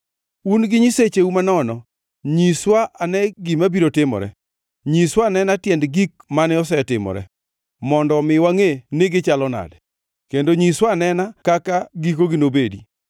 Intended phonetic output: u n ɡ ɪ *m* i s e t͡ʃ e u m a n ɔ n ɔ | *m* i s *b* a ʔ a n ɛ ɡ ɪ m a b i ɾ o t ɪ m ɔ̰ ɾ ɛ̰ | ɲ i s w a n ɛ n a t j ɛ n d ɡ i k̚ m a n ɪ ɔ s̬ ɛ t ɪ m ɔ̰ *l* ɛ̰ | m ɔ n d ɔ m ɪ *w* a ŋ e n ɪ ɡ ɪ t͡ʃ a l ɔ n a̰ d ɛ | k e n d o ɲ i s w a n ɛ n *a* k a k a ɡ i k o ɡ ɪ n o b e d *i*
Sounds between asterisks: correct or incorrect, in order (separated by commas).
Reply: incorrect, incorrect, incorrect, incorrect, correct, correct, correct